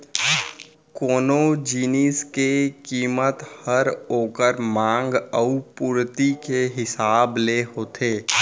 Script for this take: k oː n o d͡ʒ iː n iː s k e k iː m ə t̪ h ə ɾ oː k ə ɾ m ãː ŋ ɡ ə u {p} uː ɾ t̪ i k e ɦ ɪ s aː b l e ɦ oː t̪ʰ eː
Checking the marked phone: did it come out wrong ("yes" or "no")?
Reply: no